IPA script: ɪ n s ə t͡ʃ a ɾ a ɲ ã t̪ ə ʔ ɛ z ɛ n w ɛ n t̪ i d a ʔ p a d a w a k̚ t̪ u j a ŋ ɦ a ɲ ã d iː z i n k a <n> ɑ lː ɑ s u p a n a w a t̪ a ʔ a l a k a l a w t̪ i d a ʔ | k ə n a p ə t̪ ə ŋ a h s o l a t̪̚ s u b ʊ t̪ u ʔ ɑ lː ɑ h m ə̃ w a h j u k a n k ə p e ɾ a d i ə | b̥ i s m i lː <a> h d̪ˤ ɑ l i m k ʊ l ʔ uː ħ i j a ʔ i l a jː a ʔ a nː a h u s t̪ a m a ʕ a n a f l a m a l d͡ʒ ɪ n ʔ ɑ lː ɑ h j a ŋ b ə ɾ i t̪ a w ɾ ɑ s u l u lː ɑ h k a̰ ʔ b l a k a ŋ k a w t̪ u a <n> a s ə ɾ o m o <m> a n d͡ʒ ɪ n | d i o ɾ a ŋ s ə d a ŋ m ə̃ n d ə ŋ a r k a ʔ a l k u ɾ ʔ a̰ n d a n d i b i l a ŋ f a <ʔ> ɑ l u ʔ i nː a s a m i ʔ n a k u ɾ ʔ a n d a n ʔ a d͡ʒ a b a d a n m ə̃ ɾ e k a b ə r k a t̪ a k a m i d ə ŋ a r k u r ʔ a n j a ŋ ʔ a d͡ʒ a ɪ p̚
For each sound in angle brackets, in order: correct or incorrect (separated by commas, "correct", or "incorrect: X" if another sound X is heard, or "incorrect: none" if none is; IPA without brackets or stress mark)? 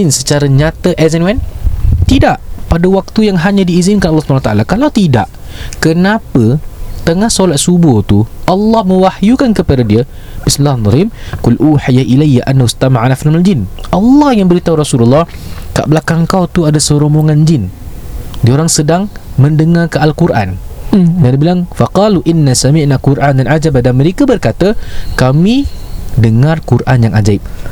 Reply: correct, correct, incorrect: d, incorrect: ŋ, incorrect: q